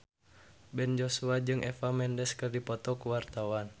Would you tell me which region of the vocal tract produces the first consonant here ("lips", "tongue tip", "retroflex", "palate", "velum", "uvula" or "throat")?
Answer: lips